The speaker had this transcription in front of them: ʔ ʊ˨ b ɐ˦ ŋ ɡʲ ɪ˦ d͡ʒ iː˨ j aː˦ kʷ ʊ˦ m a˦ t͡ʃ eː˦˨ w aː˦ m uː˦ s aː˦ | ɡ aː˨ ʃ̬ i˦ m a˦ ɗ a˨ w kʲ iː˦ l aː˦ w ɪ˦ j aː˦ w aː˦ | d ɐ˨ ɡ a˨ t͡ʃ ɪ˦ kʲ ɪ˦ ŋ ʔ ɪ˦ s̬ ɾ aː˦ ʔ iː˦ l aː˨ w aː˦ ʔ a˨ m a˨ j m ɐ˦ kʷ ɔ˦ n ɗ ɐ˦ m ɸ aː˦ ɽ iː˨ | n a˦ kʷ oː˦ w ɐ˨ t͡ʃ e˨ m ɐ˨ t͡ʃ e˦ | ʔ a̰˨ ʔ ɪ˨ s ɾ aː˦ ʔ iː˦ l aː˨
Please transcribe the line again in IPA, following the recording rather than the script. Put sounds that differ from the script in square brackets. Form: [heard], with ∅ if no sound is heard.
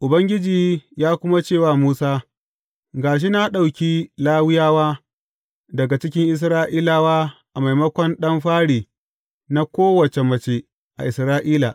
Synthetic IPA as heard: ʔ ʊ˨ b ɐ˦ ŋ ɡʲ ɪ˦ d͡ʒ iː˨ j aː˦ kʷ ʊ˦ m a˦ t͡ʃ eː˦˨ w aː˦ m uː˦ s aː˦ | ɡ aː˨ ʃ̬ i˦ [n] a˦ ɗ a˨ w kʲ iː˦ l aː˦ w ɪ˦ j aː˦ w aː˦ | d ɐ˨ ɡ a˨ t͡ʃ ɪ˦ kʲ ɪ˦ ŋ ʔ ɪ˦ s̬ ɾ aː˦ ʔ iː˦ l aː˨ w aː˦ ʔ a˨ m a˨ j m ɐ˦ kʷ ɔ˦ n ɗ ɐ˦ m ɸ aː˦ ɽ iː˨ | n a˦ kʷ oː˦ w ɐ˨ t͡ʃ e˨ m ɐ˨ t͡ʃ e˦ | ʔ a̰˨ ʔ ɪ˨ s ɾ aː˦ ʔ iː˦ l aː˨

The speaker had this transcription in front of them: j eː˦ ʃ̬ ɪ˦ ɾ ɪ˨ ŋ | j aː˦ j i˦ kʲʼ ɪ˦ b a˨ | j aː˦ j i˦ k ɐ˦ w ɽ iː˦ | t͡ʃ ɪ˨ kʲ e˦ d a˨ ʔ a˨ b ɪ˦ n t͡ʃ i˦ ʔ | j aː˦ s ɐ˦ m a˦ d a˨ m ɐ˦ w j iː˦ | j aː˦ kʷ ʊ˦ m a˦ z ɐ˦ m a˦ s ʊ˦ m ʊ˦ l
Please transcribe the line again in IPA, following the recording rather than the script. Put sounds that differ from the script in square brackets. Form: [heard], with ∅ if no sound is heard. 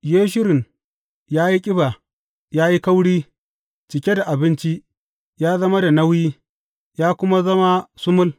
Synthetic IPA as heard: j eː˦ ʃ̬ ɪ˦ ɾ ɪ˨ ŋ | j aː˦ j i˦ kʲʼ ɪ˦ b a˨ | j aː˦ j i˦ k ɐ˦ w ɽ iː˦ | t͡ʃ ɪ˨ kʲ e˦ d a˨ ʔ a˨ b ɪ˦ n t͡ʃ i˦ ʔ | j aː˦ [z] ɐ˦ m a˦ d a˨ [n] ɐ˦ w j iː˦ | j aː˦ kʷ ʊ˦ m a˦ z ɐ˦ m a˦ s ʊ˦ m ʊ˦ l

